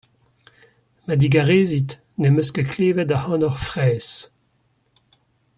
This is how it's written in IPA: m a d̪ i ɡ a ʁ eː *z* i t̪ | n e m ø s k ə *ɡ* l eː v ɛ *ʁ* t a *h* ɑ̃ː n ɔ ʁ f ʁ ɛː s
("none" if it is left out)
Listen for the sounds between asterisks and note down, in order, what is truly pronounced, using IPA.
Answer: z, k, none, h

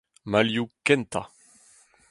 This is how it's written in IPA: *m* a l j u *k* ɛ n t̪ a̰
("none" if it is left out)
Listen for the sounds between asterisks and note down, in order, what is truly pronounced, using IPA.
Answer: m, k

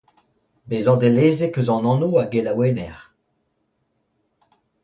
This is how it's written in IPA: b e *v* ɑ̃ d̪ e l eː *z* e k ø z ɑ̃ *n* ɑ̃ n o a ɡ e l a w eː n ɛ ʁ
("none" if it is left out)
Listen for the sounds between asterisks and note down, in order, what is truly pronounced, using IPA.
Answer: z, z, n

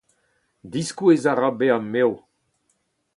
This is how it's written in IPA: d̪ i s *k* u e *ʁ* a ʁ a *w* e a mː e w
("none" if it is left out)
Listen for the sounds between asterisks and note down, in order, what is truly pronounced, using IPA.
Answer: k, z, b

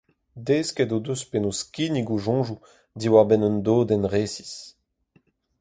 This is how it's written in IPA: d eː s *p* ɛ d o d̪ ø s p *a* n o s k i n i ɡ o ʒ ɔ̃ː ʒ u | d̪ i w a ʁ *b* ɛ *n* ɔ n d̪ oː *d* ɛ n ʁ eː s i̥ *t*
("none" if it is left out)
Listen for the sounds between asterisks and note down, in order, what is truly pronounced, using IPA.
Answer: k, e, b, n, d, s

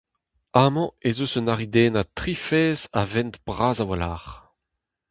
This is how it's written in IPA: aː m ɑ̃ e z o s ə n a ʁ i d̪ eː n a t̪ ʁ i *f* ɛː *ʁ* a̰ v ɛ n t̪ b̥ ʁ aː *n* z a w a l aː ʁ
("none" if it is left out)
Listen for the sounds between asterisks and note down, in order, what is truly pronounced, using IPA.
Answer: f, z, none

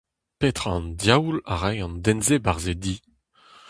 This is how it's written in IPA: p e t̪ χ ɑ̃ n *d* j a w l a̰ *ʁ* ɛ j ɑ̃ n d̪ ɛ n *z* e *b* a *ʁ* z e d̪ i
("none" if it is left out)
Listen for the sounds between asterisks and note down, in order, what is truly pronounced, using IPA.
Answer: d, ʁ, z, b, ʁ

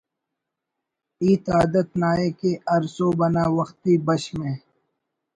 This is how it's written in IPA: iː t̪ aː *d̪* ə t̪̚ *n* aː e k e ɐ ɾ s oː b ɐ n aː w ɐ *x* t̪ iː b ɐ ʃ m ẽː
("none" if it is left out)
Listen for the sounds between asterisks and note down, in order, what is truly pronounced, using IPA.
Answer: d̪, n, x

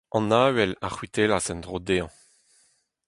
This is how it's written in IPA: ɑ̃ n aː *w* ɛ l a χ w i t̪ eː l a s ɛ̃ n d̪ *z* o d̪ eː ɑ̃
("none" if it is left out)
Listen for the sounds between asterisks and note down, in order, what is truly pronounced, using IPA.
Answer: w, ʁ

